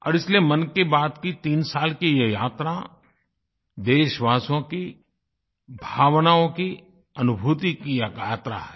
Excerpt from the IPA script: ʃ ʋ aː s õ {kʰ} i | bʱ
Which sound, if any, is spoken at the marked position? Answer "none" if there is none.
k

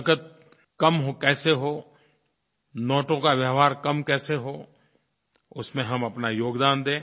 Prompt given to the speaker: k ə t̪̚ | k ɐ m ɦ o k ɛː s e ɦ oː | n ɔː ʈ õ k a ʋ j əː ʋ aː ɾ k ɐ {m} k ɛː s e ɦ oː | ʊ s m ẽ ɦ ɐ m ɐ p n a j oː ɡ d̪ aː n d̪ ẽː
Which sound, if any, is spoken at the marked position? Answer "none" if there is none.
m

